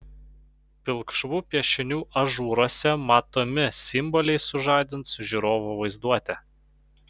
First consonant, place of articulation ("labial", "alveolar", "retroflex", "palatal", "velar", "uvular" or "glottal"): labial